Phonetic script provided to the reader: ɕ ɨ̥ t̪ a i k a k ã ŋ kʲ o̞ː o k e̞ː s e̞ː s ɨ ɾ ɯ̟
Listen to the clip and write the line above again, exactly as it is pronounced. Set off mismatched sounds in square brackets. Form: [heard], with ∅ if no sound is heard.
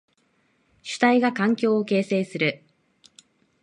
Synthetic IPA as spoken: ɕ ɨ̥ t̪ a i [ɡ] a k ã ŋ kʲ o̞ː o k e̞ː s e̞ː s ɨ ɾ ɯ̟